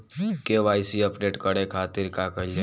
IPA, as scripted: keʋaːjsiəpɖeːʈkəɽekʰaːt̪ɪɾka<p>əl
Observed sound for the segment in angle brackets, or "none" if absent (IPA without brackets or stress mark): k